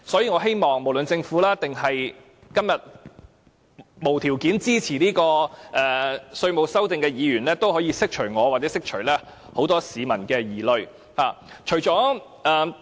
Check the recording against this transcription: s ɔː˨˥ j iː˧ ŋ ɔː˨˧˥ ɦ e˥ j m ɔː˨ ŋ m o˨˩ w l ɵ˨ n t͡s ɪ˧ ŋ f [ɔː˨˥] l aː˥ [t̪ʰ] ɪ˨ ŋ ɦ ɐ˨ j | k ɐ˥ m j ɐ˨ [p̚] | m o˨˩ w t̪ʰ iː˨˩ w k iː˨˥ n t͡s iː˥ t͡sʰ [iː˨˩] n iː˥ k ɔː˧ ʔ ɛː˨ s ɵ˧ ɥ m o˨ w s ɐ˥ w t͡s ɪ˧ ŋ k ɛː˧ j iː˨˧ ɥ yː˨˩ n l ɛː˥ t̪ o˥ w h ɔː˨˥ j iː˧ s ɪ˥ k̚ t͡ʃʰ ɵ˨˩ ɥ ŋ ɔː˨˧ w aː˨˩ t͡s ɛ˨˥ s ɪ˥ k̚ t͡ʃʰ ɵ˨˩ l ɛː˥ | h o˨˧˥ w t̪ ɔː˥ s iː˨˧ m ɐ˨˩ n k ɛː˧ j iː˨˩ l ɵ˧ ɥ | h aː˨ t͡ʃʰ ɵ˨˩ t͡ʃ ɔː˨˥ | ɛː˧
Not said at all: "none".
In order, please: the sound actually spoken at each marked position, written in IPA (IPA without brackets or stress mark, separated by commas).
uː˨˥, t̪, t̚, iː˨˩